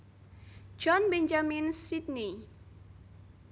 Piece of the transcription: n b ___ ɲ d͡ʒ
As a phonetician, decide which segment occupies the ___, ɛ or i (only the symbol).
ɛ